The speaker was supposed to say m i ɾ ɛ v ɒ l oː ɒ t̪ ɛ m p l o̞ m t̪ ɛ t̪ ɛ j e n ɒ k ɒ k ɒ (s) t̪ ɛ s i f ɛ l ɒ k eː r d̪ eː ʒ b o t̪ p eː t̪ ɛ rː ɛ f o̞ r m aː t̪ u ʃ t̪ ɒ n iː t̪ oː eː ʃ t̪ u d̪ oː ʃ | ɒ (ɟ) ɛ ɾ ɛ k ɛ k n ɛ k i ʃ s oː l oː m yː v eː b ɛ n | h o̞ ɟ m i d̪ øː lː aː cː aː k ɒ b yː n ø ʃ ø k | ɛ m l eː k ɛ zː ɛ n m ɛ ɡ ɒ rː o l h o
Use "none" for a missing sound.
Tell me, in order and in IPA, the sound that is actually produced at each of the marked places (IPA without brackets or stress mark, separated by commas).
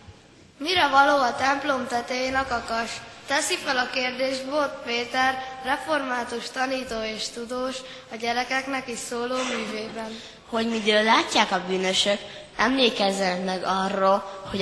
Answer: ʃ, ɟ